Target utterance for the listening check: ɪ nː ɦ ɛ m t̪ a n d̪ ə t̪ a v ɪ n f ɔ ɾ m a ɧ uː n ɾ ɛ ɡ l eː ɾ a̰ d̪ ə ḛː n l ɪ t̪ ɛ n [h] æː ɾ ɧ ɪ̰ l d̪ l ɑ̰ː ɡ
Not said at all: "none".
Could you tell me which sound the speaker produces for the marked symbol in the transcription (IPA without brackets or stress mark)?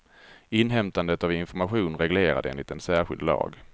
s